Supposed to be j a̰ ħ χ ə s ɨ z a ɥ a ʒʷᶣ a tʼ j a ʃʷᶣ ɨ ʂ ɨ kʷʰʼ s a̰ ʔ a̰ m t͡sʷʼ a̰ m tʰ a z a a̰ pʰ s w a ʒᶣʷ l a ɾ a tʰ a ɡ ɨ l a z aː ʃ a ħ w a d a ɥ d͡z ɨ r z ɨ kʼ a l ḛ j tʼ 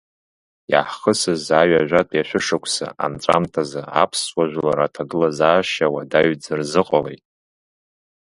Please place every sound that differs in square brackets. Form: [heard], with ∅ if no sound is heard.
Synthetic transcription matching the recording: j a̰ ħ χ ə s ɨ z a ɥ a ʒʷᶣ a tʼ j a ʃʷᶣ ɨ ʂ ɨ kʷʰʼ s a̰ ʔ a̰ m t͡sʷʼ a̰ m tʰ a z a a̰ pʰ s w a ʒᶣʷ l a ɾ a tʰ a ɡ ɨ l a z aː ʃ a [∅] w a d a ɥ d͡z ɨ r z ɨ [qʼ] a l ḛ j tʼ